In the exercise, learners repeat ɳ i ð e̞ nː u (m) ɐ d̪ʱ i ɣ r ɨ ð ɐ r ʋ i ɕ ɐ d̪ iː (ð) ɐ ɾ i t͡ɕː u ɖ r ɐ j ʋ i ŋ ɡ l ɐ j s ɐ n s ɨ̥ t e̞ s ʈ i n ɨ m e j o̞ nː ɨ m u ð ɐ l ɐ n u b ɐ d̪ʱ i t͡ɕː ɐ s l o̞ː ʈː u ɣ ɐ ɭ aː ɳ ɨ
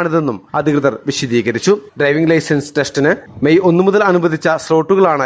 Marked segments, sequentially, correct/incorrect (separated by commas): correct, incorrect